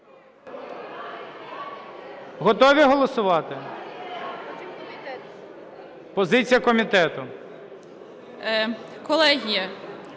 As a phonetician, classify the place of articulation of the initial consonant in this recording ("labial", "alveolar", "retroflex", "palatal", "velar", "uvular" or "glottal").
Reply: glottal